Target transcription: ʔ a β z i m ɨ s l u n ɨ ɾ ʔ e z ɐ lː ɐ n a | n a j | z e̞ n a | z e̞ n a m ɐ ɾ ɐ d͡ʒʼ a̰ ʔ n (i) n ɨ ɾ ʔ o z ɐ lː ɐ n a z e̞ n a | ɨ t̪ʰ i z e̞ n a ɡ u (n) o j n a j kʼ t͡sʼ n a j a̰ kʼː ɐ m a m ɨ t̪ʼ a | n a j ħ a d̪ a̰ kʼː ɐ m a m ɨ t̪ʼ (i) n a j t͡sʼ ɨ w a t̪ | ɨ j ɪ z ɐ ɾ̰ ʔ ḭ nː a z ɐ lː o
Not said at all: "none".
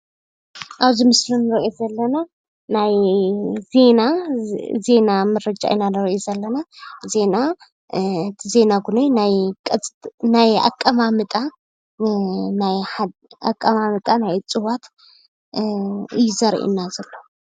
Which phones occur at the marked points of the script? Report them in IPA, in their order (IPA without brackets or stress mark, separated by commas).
a, n, a